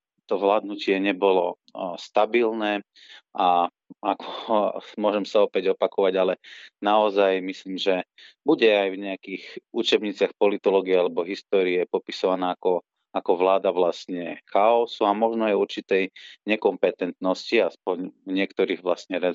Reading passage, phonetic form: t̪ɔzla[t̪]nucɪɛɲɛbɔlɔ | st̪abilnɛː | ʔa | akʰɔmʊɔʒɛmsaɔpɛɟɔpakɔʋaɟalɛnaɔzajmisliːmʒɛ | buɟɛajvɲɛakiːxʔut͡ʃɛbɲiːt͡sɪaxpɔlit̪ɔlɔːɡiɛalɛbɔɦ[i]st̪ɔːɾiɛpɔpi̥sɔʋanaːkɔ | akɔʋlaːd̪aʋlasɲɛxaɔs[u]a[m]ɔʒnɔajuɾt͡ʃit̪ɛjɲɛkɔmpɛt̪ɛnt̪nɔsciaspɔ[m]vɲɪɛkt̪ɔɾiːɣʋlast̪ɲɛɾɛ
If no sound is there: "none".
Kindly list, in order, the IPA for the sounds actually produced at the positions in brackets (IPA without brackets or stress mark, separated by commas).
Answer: d̪, i, u, m, ɲ